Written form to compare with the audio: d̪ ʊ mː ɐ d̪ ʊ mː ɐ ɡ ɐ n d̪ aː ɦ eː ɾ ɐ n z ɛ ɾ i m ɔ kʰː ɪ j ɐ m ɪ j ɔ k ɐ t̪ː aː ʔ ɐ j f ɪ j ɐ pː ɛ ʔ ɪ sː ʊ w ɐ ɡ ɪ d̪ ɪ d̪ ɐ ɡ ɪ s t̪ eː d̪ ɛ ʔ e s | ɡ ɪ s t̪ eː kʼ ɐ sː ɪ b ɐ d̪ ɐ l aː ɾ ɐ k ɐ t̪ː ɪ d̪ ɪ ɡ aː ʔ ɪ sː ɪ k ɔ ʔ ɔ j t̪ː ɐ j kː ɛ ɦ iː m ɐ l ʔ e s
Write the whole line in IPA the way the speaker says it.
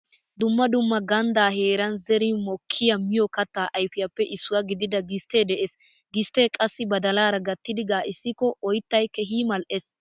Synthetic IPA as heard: d̪ ʊ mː ɐ d̪ ʊ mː ɐ ɡ ɐ n d̪ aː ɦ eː ɾ ɐ n z ɛ ɾ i m ɔ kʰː ɪ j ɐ m ɪ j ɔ k ɐ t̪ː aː ʔ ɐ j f ɪ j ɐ pː ɛ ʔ ɪ sː ʊ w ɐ ɡ ɪ d̪ ɪ d̪ ɐ ɡ ɪ s t̪ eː d̪ ɛ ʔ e s | ɡ ɪ s t̪ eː kʼ ɐ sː ɪ b ɐ d̪ ɐ l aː ɾ ɐ ɡ ɐ t̪ː ɪ d̪ ɪ ɡ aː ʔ ɪ sː ɪ k ɔ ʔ ɔ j t̪ː ɐ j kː ɛ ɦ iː m ɐ l ʔ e s